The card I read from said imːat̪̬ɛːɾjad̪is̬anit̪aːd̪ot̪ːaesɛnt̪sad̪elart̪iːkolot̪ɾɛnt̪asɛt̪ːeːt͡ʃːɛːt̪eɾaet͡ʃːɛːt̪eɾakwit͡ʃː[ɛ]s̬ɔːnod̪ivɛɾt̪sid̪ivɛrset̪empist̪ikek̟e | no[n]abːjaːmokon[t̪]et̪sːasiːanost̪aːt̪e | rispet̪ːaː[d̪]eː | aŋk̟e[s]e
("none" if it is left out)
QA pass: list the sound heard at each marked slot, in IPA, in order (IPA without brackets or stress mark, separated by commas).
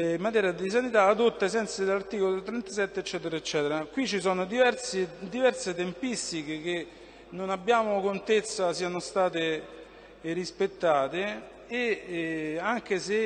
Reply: i, n, t̪, t̪, s